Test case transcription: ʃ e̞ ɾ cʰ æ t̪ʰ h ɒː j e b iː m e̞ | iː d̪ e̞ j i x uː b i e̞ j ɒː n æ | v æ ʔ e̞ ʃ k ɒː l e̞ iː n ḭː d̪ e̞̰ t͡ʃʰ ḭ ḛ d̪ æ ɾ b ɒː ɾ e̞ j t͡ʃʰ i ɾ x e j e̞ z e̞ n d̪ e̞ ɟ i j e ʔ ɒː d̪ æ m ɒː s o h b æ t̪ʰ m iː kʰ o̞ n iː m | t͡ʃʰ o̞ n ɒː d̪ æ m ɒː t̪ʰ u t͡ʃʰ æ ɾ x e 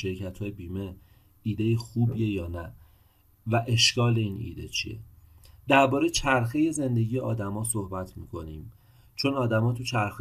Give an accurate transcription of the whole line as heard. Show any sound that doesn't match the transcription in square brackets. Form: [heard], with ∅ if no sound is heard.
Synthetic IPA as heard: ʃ e̞ ɾ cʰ æ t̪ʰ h ɒː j e b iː m e̞ | iː d̪ e̞ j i x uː b i e̞ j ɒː n æ | v æ ʔ e̞ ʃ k ɒː l e̞ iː n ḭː d̪ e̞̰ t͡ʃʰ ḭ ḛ d̪ æ ɾ b ɒː ɾ e̞ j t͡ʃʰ [æ] ɾ x e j e̞ z e̞ n d̪ e̞ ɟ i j e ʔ ɒː d̪ æ m ɒː s o h b æ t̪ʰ m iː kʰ o̞ n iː m | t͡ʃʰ o̞ n ɒː d̪ æ m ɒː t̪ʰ u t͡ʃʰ æ ɾ x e

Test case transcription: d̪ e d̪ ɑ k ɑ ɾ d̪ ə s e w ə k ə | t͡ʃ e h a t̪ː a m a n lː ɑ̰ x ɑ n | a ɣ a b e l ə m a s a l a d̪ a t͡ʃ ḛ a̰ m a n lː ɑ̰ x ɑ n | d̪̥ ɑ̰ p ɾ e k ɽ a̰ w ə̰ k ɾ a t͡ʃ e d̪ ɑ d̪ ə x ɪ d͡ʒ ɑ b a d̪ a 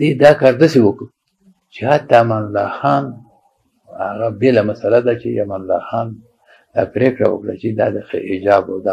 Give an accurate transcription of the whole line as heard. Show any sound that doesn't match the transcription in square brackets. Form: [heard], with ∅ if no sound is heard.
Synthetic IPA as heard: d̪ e d̪ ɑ k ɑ ɾ d̪ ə s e w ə k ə | t͡ʃ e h a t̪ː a m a n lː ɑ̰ x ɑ n | a ɣ a b e l [a] m a s a l a d̪ a t͡ʃ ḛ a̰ m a n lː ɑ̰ x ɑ n | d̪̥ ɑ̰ p ɾ e k ɽ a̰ w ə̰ k [ɽ] a t͡ʃ e d̪ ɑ d̪ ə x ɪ d͡ʒ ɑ b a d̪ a

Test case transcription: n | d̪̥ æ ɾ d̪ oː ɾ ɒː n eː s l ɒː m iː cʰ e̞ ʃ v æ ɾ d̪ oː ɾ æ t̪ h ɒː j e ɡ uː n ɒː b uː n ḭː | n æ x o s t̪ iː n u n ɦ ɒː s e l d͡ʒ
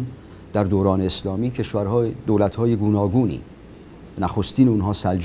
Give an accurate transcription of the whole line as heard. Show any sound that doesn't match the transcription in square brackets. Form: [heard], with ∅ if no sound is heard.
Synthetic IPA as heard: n | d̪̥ æ ɾ d̪ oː ɾ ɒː n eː s l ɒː m iː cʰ e̞ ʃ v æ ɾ d̪ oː [l] æ t̪ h ɒː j e ɡ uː n ɒː [ɡ] uː n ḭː | n æ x o s t̪ iː n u n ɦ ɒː s [æ] l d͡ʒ

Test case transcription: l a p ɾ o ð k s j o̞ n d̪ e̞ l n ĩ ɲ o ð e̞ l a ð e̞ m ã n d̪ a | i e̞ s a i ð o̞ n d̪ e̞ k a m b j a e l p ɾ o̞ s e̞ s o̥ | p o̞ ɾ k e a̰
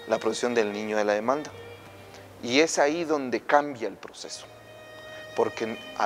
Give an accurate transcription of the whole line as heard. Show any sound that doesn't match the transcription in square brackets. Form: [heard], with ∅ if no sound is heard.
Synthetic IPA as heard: l a p ɾ o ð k s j o̞ n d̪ e̞ l n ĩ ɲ o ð e̞ l a ð e̞ m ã n d̪ a | i e̞ s a i ð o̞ n d̪ e̞ k a m b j a e l p ɾ o̞ s e̞ s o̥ | p o̞ ɾ k e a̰

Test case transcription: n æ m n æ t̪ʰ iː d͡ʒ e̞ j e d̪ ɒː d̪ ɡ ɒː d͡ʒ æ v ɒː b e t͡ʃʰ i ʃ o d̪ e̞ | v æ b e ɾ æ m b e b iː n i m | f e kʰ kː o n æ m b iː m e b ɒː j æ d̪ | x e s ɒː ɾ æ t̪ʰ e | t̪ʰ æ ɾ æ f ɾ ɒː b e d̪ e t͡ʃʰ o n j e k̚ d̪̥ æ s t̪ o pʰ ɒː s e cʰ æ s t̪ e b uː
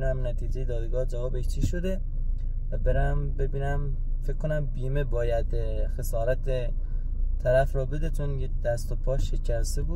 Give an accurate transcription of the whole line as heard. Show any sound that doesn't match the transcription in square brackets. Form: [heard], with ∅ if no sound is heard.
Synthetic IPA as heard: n æ m n æ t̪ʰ iː d͡ʒ e̞ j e d̪ ɒː d̪ ɡ ɒː d͡ʒ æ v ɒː b e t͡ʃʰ i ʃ o d̪ e̞ | v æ b e ɾ æ m b e b iː n [æ] m | f e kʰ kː o n æ m b iː m e b ɒː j æ d̪ | x e s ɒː ɾ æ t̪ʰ e | t̪ʰ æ ɾ æ f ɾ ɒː b e d̪ e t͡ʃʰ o n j e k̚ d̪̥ æ s t̪ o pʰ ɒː [ʃ] e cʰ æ s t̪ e b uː

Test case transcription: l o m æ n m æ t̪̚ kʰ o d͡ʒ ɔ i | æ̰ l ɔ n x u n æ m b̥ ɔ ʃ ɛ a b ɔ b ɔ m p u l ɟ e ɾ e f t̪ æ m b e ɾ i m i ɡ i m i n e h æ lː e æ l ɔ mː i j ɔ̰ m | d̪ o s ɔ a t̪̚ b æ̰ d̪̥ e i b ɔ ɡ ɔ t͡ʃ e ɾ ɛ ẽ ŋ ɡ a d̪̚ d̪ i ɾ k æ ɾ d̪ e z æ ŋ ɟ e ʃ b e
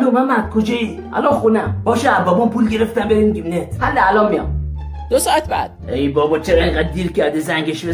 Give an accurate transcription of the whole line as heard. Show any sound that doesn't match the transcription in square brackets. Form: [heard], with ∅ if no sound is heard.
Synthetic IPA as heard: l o m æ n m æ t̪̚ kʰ o d͡ʒ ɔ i | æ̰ l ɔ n x u n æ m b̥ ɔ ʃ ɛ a b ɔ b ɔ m p u l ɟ e ɾ e f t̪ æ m b e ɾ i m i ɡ i m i n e h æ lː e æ l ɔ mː i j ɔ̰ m | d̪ o s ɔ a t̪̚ b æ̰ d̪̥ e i b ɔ [b] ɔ t͡ʃ e ɾ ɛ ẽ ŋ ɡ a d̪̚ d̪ i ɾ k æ ɾ d̪ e z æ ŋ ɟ e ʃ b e

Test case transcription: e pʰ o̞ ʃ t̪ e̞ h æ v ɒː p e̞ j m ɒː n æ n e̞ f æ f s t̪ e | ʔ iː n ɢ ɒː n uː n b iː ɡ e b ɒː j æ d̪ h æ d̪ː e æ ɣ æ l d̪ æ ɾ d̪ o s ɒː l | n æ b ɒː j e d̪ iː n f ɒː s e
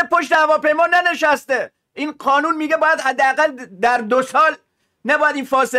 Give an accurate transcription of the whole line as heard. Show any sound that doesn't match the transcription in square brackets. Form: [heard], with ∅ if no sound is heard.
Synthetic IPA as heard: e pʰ o̞ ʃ t̪ e̞ h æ v ɒː p e̞ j m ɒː n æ n e̞ [ʃ] æ [∅] s t̪ e | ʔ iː n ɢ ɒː n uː n [m] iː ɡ e b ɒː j æ d̪ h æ d̪ː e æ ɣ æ l d̪ æ ɾ d̪ o s ɒː l | n æ b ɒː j [æ] d̪ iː n f ɒː s e

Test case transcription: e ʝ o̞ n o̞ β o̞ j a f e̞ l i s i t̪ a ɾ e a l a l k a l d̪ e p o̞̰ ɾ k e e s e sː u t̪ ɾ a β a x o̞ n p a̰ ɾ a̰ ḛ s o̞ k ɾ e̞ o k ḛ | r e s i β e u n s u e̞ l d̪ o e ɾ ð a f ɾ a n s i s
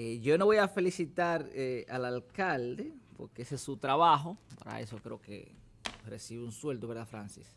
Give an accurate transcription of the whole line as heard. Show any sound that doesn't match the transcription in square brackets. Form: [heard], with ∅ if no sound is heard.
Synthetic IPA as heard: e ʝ o̞ n o̞ β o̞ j a f e̞ l i s i t̪ a ɾ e a l a l k a l d̪ e p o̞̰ ɾ k e e s e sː u t̪ ɾ a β a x o̞ [∅] p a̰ ɾ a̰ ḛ s o̞ k ɾ e̞ o k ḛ | r e s i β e u n s [w] e̞ l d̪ o e ɾ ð a f ɾ a n s i s

